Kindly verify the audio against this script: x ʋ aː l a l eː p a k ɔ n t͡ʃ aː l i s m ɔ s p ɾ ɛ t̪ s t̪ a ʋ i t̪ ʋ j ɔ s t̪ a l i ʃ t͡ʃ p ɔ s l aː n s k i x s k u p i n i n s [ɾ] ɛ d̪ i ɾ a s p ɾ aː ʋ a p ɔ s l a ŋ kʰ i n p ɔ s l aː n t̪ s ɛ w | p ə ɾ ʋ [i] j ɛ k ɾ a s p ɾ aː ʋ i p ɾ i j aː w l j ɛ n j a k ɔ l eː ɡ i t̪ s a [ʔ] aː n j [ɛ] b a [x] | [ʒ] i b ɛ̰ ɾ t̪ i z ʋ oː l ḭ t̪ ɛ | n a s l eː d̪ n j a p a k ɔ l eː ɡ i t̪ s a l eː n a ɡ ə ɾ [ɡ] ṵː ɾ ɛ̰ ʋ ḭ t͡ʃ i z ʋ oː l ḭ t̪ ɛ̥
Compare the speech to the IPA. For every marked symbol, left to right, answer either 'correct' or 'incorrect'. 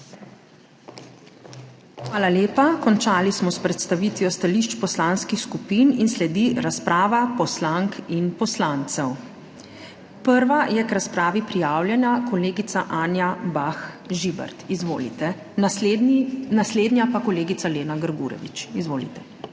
incorrect, incorrect, correct, incorrect, correct, correct, correct

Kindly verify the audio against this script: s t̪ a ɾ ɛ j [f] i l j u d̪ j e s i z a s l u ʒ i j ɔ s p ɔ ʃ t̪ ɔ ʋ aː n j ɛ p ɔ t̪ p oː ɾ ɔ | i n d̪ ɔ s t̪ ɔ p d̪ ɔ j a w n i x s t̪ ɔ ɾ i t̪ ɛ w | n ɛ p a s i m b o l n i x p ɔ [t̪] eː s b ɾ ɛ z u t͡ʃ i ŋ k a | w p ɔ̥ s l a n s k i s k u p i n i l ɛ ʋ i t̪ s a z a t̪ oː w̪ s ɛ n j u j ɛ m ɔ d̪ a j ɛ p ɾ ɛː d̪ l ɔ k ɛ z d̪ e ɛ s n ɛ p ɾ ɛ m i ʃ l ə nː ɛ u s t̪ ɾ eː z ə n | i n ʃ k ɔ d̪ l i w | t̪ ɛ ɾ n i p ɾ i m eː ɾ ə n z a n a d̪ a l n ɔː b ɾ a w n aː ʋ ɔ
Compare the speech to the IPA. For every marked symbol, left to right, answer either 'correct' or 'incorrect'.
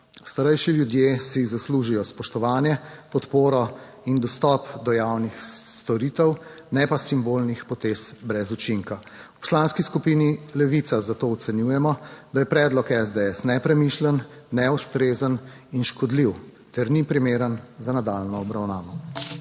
incorrect, correct

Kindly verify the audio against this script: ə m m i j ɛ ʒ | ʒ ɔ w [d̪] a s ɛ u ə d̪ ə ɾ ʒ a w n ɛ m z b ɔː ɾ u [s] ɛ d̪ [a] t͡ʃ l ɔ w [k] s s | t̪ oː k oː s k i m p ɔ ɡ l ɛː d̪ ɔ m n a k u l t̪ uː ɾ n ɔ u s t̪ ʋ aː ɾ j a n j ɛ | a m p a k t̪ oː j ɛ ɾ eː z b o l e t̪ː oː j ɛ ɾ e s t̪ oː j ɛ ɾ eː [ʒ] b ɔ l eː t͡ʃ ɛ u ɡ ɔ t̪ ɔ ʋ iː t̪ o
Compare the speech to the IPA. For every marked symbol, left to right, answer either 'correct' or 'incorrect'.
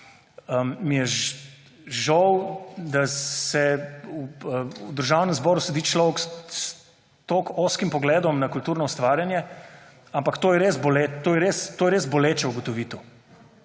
correct, correct, incorrect, correct, incorrect

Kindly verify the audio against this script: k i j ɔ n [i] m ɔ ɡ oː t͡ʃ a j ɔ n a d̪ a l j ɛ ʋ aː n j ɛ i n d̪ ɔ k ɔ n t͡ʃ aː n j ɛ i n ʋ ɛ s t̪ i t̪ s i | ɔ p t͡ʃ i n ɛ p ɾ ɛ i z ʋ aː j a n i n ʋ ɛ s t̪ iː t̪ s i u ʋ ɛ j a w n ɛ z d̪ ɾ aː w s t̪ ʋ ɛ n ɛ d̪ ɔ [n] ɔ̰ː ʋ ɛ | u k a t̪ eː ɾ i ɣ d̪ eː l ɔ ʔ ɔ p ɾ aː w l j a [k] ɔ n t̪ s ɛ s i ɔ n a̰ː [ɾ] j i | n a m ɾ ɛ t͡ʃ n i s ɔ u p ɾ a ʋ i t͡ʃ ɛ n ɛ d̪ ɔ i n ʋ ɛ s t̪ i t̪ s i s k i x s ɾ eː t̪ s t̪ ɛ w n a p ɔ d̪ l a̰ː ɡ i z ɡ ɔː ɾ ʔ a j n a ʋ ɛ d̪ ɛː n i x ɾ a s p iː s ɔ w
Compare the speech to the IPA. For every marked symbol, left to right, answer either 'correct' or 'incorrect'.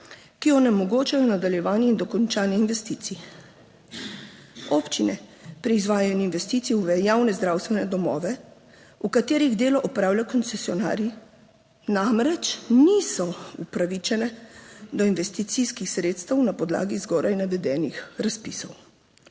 incorrect, incorrect, correct, correct

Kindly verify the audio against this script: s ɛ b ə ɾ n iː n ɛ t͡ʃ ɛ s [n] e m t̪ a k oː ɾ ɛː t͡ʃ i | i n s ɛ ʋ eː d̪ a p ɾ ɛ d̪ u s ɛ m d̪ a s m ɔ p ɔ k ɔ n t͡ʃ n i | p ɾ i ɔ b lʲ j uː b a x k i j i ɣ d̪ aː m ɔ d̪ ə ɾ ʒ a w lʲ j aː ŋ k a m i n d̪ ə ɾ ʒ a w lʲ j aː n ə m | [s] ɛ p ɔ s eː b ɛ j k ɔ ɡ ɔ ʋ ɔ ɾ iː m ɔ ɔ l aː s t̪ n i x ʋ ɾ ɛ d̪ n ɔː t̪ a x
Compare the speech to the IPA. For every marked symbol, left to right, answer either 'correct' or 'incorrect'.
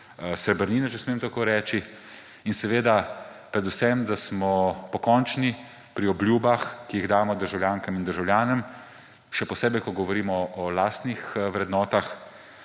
incorrect, incorrect

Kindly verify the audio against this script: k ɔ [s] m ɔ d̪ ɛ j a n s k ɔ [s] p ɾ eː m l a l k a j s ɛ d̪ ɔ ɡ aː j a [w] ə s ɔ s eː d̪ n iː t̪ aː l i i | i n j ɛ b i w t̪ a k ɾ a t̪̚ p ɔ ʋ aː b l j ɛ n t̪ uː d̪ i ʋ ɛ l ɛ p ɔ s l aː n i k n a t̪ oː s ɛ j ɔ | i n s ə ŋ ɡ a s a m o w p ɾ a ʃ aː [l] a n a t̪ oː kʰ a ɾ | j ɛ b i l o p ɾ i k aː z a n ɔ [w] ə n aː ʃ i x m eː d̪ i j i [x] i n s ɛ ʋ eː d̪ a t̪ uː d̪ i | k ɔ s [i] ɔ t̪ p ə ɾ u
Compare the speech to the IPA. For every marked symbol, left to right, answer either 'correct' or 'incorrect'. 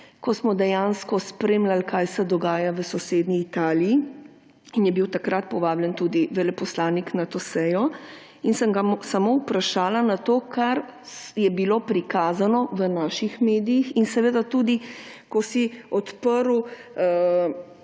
correct, correct, incorrect, correct, incorrect, correct, correct

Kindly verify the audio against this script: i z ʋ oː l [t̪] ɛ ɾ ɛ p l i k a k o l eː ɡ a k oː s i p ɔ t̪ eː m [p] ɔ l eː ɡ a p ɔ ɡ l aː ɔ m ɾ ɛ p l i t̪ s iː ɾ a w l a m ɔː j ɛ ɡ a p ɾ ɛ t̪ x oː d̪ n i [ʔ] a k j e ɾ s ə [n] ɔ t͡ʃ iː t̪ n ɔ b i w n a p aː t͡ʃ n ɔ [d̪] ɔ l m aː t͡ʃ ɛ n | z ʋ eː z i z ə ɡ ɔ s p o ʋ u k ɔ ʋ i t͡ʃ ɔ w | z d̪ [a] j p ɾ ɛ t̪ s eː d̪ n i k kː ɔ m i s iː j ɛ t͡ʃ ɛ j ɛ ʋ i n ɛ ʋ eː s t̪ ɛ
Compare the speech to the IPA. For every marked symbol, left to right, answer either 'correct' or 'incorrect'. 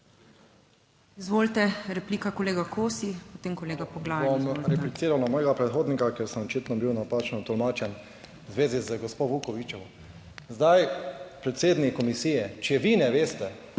correct, incorrect, incorrect, incorrect, incorrect, correct

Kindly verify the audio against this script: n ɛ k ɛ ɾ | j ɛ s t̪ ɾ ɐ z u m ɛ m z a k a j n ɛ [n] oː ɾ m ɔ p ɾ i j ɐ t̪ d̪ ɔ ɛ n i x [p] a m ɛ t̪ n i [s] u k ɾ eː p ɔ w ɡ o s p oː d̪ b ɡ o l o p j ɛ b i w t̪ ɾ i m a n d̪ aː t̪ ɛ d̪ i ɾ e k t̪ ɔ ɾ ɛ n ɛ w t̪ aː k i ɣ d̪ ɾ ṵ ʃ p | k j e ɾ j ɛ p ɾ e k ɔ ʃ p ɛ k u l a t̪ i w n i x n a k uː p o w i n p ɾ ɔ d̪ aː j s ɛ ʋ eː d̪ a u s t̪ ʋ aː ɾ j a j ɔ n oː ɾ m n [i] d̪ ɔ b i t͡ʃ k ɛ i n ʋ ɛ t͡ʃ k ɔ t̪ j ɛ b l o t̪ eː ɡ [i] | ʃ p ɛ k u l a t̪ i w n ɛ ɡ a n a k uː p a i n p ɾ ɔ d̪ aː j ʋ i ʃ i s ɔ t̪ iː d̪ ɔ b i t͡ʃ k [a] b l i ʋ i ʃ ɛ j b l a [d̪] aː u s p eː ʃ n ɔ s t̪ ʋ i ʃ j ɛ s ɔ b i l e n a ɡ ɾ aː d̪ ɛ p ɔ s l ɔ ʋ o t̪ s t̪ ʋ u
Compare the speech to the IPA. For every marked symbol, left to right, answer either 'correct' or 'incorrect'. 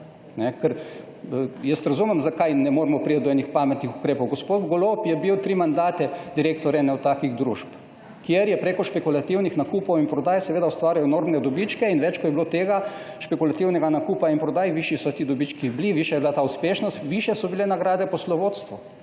incorrect, correct, incorrect, incorrect, incorrect, incorrect, incorrect

